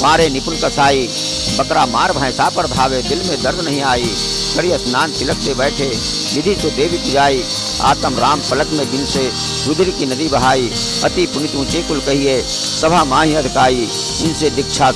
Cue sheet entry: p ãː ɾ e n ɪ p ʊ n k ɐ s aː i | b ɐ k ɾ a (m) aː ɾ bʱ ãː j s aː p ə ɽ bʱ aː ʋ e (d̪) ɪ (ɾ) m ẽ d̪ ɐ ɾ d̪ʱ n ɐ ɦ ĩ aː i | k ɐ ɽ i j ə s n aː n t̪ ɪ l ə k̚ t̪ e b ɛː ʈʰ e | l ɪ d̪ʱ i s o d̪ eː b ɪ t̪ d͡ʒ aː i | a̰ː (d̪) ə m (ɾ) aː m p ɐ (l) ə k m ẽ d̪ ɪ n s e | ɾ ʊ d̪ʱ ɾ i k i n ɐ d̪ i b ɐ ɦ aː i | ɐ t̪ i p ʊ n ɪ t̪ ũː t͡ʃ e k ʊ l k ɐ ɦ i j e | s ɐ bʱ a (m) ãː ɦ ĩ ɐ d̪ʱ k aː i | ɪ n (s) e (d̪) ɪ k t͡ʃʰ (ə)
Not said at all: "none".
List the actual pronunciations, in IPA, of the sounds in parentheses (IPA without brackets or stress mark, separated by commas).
m, d̪, l, t̪, ɾ, l, m, s, d̪, a